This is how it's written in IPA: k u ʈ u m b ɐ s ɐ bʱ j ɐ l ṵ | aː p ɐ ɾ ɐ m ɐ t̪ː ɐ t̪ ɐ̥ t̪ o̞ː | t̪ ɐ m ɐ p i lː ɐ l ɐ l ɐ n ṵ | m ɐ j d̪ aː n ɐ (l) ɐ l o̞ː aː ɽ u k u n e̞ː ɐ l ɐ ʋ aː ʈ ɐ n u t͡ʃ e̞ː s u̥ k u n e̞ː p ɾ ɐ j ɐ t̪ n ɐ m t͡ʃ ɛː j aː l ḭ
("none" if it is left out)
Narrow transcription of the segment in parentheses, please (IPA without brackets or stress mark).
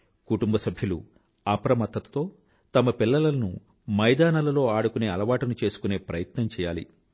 l